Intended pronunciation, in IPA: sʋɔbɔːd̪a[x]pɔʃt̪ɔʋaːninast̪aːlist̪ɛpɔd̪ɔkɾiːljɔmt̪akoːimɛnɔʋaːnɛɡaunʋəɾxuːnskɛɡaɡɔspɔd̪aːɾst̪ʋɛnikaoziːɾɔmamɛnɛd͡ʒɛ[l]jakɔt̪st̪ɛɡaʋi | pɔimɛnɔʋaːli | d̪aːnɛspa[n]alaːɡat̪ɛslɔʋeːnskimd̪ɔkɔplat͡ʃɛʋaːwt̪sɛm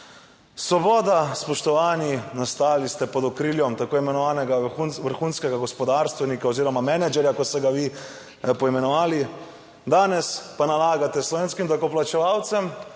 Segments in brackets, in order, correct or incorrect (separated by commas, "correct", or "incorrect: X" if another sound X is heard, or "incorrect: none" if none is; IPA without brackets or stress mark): incorrect: s, incorrect: ɾ, correct